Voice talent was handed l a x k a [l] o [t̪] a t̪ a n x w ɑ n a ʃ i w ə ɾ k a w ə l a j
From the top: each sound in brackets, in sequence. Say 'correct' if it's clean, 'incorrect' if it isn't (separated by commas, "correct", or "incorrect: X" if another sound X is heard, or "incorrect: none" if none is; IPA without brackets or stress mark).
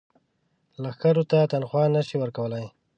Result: incorrect: ɾ, correct